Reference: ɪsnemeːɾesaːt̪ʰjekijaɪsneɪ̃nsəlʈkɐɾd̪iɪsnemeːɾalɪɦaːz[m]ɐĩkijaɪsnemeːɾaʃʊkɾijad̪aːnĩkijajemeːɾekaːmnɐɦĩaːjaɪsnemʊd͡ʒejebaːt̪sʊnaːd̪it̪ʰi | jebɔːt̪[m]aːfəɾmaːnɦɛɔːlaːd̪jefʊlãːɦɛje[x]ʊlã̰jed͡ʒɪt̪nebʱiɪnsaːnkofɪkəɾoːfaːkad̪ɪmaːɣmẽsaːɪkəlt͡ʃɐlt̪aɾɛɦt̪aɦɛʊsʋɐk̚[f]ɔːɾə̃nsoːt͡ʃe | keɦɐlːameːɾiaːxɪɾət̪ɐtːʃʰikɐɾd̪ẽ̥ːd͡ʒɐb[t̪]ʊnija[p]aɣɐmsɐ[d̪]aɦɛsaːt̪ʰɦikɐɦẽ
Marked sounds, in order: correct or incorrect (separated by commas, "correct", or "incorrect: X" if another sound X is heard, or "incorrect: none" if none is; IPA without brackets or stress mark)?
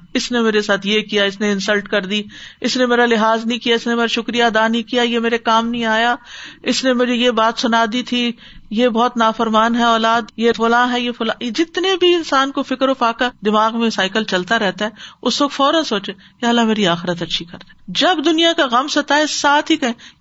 incorrect: n, incorrect: n, incorrect: f, correct, incorrect: d̪, incorrect: k, incorrect: t̪